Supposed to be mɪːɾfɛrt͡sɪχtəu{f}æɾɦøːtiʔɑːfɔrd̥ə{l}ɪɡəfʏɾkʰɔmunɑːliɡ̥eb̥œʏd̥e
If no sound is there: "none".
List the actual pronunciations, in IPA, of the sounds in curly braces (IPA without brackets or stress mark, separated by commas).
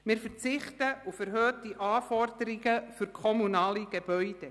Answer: f, ɾ